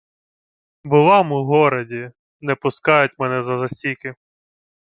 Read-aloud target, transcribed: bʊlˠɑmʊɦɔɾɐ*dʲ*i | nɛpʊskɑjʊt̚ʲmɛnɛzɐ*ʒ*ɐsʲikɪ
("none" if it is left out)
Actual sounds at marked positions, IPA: dʲ, z

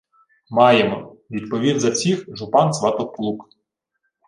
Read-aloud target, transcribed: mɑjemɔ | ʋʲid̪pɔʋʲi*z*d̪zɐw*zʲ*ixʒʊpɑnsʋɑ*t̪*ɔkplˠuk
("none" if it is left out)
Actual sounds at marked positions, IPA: none, sʲ, t̪

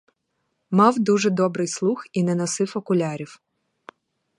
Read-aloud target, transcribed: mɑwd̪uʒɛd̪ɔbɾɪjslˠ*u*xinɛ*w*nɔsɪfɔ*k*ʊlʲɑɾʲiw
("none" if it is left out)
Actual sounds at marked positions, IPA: u, none, k

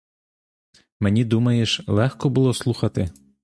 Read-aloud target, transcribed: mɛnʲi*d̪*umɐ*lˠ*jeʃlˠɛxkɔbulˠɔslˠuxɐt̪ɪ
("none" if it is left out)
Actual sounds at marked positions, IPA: d̪, none

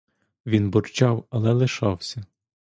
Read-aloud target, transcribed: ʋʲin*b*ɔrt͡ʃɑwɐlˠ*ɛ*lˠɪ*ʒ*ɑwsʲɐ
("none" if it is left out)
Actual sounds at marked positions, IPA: b, ɛ, ʃ

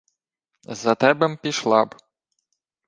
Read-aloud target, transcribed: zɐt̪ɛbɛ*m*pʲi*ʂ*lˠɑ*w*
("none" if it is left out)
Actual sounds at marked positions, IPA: m, ʃ, b

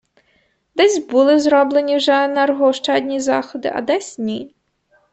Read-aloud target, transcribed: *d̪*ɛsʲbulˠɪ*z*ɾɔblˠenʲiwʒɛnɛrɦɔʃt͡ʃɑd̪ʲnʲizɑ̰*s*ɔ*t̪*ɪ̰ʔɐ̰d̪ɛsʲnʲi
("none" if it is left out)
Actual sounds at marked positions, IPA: d̪, z, x, d̪

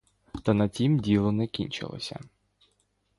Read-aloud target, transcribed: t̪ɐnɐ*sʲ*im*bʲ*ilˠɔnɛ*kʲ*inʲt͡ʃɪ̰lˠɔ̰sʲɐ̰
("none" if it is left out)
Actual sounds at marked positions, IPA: tʲ, dʲ, kʲ

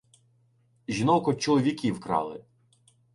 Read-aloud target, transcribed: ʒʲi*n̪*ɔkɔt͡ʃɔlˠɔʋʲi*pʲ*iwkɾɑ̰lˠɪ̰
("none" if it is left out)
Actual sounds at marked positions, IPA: n̪, kʲ

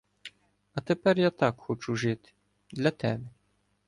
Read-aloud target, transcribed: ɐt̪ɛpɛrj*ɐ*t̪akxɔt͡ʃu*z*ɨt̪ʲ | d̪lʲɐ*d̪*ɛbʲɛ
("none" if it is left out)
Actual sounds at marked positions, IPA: a, ʐ, t̪

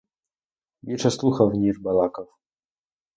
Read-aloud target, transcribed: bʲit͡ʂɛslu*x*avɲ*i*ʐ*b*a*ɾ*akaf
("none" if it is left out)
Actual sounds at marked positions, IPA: x, i, b, l

